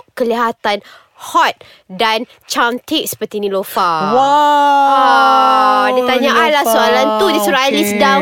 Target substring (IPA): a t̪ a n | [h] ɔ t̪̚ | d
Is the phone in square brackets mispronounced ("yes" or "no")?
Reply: no